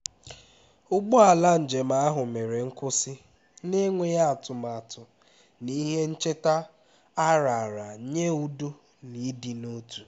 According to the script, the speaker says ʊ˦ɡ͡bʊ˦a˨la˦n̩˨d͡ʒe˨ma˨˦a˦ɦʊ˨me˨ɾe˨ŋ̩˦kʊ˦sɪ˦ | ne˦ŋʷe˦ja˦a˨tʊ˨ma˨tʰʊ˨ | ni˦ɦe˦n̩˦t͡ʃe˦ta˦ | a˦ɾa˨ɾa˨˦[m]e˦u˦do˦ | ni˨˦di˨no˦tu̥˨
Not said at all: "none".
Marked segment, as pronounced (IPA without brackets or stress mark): ɲ